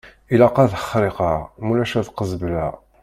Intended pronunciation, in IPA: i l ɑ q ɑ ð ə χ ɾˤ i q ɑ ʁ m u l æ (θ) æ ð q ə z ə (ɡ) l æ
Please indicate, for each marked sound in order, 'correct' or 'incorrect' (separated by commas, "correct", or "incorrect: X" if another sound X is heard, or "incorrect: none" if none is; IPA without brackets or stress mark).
incorrect: ʃ, incorrect: b